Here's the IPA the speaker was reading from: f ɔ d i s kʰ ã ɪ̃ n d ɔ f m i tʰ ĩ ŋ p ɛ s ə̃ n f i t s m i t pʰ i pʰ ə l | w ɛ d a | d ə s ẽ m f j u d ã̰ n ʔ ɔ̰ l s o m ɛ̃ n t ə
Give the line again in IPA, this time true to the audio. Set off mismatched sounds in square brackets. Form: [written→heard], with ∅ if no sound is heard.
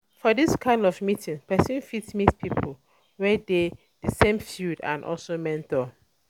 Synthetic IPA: f ɔ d i s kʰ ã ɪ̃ n d ɔ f m i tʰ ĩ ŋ p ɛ s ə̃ n f i t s m i t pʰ i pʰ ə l | w ɛ d [a→e] | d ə s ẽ m f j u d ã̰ n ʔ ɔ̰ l s o m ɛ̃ n t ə